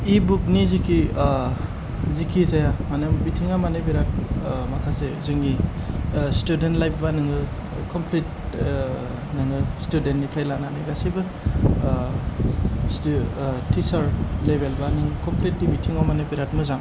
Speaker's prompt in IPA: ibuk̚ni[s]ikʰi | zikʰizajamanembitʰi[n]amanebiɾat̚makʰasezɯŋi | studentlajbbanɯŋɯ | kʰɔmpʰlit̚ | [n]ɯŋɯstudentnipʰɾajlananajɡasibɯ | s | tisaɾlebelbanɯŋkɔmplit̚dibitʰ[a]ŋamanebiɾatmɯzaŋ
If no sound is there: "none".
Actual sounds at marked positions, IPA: z, ŋ, n, i

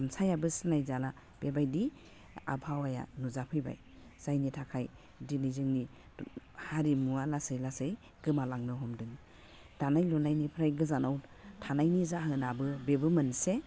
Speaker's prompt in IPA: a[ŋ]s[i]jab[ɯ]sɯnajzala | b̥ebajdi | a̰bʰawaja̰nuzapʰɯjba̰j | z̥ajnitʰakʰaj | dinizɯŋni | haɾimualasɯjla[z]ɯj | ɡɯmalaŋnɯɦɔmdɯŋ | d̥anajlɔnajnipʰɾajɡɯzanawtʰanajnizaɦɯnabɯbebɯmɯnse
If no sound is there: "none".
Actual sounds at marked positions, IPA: m, a, ɯ, s

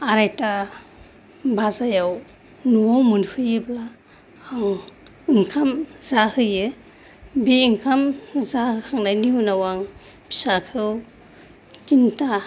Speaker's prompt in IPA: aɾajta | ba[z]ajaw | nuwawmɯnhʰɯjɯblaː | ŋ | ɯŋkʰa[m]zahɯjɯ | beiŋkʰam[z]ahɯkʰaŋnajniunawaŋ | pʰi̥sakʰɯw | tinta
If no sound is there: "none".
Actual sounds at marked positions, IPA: z, m, z

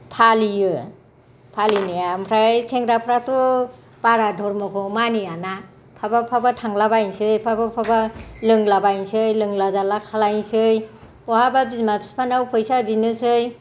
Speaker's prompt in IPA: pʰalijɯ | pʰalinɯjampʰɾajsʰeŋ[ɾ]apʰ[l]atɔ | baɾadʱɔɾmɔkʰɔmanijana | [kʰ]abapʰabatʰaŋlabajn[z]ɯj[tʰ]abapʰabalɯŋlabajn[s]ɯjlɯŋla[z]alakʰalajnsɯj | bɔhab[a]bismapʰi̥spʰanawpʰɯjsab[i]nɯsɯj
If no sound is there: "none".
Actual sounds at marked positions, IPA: ɾ, ɾ, pʰ, s, pʰ, s, z, a, i

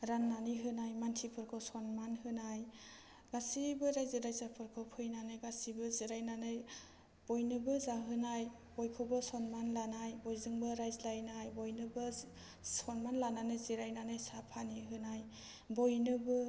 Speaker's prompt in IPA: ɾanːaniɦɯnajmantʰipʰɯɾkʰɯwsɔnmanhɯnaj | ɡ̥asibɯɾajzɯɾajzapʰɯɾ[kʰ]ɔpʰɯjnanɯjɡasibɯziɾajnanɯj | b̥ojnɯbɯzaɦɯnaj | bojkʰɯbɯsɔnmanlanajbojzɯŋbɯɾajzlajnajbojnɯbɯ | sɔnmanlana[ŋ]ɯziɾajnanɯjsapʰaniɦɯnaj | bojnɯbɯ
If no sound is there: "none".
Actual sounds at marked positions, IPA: kʰ, n

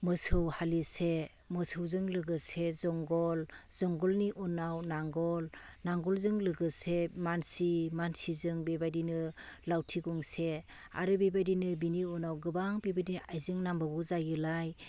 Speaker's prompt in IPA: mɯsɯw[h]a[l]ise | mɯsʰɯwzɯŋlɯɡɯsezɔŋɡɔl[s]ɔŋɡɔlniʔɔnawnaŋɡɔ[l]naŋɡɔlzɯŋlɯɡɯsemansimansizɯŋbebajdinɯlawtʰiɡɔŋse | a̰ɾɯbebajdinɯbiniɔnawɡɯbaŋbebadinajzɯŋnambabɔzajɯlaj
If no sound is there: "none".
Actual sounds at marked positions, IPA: h, l, z, l

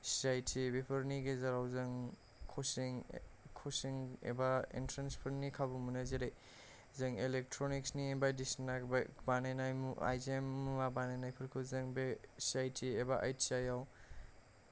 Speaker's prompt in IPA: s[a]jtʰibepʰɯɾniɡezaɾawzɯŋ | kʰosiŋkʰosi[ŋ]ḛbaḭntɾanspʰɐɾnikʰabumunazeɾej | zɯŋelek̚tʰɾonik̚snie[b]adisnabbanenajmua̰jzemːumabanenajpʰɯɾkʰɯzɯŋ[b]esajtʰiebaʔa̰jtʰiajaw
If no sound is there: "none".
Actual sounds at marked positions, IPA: a, ŋ, b, b

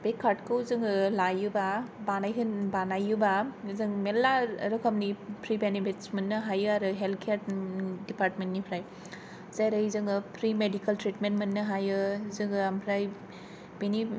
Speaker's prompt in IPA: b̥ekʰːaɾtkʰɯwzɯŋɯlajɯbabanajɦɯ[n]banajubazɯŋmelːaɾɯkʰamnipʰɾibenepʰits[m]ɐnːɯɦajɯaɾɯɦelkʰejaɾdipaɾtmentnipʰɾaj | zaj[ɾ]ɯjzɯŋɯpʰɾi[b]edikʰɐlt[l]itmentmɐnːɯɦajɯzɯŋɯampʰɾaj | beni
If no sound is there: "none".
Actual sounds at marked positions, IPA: n, m, ɾ, m, ɾ

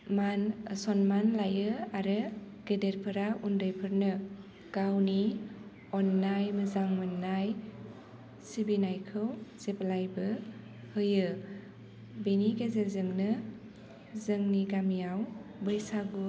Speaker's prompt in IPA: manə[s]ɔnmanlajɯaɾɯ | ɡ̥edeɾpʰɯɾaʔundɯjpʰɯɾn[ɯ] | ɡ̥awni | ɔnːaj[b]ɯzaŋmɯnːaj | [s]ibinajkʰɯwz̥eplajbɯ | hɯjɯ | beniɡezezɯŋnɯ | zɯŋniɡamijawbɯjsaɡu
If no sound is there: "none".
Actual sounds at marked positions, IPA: s, ɯ, m, s

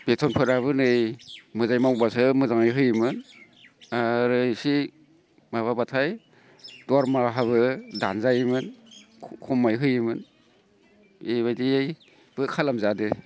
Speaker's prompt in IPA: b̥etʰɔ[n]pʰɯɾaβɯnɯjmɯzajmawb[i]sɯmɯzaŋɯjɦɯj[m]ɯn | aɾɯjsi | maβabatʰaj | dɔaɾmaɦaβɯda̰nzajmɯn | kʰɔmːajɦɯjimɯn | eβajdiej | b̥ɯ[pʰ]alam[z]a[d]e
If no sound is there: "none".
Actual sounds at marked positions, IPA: n, a, m, kʰ, z, d

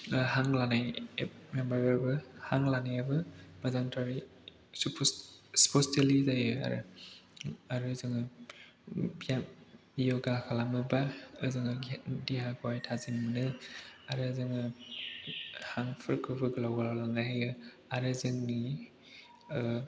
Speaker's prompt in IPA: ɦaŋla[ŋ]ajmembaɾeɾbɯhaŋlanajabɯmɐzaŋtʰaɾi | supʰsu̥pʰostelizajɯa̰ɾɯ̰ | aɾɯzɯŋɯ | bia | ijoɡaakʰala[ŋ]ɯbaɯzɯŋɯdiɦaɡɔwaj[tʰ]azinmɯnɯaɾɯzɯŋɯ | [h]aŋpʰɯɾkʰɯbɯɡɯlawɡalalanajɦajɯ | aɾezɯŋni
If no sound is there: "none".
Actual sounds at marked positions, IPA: n, m, tʰ, h

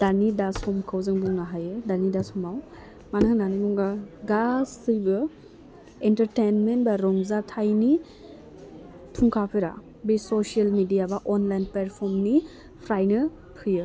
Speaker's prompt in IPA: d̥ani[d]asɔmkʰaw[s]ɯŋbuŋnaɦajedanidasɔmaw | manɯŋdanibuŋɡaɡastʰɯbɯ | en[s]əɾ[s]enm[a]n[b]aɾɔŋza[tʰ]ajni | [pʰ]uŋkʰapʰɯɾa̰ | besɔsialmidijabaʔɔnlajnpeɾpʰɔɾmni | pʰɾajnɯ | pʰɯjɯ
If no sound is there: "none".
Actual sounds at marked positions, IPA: d, z, t, t, e, b, tʰ, tʰ

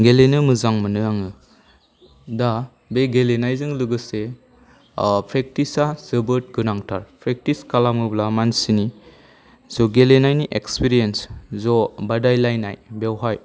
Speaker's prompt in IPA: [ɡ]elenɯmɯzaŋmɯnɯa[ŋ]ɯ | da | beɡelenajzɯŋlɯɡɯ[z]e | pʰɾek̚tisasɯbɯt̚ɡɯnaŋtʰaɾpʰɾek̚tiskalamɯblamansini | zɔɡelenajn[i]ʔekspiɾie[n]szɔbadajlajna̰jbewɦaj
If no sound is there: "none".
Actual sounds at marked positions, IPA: ɡ, ŋ, s, i, n

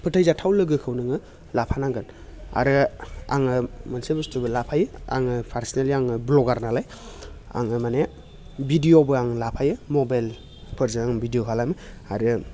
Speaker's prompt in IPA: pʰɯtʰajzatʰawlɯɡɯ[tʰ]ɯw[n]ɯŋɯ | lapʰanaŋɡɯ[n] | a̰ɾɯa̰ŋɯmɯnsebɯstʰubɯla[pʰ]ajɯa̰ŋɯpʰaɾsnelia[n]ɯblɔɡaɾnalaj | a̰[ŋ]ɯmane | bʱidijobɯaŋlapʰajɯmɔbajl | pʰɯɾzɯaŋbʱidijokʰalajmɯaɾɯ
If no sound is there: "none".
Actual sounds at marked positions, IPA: kʰ, n, n, pʰ, ŋ, ŋ

